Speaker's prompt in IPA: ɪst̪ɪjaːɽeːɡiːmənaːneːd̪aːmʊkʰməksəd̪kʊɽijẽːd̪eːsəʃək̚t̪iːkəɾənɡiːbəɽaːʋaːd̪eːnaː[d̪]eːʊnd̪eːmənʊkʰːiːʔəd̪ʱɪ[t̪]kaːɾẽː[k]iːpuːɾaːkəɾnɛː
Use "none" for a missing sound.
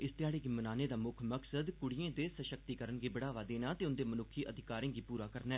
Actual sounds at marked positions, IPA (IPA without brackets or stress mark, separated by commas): t̪, none, ɡ